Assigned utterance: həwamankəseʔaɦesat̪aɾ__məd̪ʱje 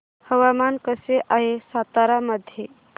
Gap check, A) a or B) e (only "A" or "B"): A